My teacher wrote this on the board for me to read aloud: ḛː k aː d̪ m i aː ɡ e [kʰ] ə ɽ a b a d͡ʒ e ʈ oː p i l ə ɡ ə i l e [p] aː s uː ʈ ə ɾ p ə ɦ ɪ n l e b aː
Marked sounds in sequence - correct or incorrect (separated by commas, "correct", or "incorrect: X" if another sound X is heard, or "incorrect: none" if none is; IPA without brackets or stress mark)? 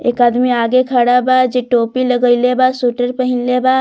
correct, incorrect: b